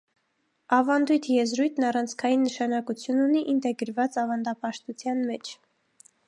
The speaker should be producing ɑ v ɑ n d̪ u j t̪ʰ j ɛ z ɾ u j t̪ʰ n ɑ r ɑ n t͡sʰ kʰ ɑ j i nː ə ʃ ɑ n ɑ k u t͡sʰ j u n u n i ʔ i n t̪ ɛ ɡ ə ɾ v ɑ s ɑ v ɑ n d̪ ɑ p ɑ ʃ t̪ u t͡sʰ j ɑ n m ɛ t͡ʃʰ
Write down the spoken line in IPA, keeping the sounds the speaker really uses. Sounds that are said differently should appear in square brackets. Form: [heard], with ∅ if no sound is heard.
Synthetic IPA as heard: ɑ v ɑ n d̪ u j t̪ʰ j ɛ z ɾ u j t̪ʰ n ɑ r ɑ n t͡sʰ kʰ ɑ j i nː ə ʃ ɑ n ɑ k u t͡sʰ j u n u n i ʔ i n t̪ ɛ ɡ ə ɾ v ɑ [t͡s] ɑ v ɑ n d̪ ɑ p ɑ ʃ t̪ u t͡sʰ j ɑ n m ɛ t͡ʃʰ